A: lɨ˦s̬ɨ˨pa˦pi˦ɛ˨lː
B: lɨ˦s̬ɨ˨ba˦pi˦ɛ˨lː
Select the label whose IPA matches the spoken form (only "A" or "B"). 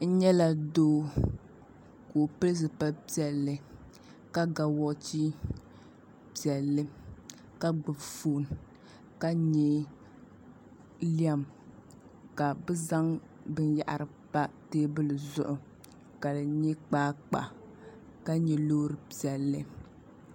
A